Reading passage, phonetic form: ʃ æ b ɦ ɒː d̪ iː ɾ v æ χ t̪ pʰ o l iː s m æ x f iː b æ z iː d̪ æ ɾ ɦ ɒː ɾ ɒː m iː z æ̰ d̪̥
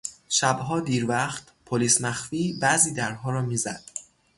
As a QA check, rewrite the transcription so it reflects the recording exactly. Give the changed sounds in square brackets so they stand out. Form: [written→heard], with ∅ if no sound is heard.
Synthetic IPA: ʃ æ b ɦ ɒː d̪ iː ɾ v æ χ t̪ pʰ o l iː s m æ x f iː b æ z iː d̪ æ ɾ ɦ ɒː ɾ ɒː m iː z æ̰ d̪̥